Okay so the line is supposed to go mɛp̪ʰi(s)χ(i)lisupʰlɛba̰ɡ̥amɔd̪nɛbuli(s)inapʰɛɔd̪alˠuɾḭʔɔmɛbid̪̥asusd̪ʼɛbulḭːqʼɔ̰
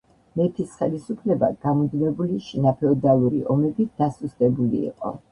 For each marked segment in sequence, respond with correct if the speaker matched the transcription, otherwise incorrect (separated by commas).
correct, incorrect, incorrect